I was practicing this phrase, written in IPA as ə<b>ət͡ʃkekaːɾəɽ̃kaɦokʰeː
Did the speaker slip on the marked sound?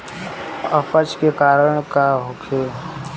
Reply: yes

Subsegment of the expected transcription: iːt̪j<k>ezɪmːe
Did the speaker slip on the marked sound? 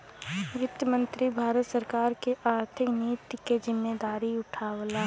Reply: no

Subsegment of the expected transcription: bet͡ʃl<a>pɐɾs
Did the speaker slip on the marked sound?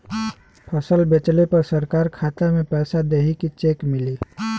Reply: yes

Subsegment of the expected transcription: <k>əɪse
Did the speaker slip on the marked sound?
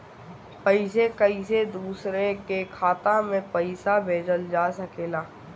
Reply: yes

